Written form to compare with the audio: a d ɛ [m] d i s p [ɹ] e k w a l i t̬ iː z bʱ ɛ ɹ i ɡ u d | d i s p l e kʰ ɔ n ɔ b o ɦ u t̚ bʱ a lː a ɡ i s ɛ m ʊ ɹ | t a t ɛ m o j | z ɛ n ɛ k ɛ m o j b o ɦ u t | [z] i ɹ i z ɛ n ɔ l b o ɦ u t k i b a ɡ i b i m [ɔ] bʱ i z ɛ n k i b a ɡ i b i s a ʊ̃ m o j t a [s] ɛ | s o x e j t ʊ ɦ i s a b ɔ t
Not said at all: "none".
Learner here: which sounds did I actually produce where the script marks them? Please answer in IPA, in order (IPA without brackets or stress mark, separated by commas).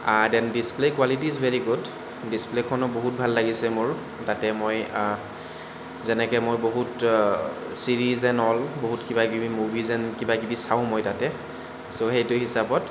n, l, s, u, t